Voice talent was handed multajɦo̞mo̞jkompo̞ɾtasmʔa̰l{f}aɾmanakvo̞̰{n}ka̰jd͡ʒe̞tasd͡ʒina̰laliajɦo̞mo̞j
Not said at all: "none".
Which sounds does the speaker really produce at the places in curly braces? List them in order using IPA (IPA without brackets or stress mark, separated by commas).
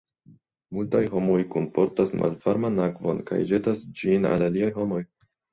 f, n